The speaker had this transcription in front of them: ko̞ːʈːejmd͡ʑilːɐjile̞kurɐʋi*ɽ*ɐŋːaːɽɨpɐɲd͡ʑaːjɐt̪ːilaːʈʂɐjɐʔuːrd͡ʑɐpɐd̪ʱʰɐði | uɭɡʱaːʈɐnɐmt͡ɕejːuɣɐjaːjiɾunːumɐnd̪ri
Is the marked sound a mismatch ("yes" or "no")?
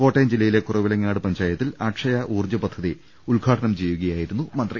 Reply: yes